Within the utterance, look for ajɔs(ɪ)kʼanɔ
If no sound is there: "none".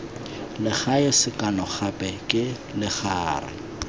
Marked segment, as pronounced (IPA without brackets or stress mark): ɪ